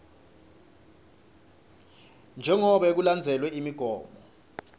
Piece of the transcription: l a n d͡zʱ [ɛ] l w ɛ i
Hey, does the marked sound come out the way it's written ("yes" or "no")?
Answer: yes